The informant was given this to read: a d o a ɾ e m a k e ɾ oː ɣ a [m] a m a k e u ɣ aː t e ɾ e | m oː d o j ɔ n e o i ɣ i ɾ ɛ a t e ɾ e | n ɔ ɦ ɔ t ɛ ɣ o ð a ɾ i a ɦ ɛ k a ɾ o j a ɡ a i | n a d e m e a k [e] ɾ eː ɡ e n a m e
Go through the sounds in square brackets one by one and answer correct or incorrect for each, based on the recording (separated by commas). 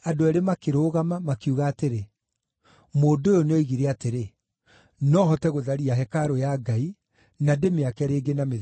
correct, incorrect